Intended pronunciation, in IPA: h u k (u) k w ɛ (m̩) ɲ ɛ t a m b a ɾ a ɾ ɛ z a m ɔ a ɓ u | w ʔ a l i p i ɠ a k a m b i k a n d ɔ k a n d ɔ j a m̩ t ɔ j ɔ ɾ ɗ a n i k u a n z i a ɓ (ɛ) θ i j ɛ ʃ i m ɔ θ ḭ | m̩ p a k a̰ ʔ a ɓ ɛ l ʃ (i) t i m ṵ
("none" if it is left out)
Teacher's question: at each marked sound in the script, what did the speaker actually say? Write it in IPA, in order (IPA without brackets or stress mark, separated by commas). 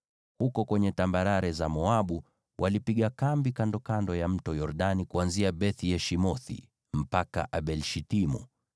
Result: ɔ, none, ɛ, i